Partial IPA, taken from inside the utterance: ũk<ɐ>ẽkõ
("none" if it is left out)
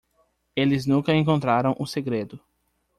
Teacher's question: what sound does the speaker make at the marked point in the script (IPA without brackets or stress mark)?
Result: ɐ